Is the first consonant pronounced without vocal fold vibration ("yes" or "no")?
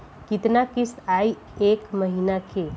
yes